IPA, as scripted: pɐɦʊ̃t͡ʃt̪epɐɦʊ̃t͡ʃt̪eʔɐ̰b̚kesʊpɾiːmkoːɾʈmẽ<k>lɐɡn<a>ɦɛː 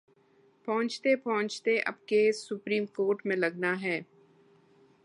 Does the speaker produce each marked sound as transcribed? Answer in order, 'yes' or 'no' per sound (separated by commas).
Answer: no, yes